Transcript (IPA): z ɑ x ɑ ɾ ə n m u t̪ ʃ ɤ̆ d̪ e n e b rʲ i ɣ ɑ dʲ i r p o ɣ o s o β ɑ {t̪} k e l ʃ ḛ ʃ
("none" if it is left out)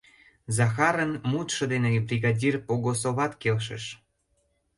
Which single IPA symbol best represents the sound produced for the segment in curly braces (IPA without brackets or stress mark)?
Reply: t̪